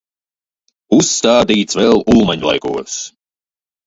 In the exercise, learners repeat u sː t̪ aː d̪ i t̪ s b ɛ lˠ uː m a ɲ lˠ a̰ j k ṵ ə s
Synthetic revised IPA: u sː t̪ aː d̪ iː t̪ s v ɛ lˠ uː m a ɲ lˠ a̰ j k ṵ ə s